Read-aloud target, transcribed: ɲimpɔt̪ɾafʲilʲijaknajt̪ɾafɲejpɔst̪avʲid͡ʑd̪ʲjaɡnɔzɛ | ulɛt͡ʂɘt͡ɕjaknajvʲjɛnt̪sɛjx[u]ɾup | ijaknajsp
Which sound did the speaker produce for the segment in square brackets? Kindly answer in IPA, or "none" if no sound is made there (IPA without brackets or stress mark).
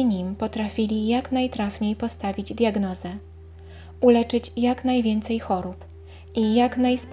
ɔ